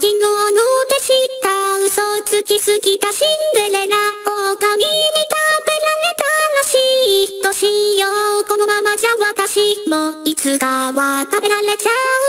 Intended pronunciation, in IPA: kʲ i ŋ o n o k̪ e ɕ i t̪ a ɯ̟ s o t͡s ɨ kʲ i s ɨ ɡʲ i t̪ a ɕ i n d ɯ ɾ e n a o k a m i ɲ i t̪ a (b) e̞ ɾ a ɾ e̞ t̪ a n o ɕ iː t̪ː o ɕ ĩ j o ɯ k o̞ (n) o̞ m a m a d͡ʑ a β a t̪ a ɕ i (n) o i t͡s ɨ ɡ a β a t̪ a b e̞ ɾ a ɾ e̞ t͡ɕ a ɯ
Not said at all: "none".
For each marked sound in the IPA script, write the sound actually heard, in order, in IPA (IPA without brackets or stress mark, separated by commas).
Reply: b, n, m